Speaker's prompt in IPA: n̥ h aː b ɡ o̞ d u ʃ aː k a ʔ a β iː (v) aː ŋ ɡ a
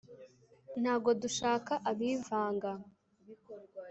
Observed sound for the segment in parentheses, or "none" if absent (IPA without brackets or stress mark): v